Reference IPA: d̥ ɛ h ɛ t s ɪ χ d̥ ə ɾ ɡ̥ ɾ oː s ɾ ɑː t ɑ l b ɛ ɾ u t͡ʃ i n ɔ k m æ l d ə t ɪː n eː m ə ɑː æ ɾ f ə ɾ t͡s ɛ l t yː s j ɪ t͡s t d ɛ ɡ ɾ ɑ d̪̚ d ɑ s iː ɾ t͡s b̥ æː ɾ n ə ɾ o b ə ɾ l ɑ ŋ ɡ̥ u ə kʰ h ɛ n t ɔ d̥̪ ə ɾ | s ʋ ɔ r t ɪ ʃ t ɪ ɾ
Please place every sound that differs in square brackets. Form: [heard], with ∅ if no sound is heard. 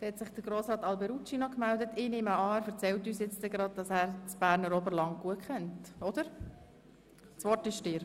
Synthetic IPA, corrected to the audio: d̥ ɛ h ɛ t s ɪ χ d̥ ə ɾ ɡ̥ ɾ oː s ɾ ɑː t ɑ l b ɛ ɾ u t͡ʃ i n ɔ k m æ l d ə t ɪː n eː m ə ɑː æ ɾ f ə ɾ t͡s ɛ l t yː s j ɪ t͡s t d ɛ ɡ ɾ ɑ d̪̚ d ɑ s [æː] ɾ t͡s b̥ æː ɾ n ə ɾ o b ə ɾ l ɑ ŋ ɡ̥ u ə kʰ [χ] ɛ n t ɔ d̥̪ ə ɾ | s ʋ ɔ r t ɪ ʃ t ɪ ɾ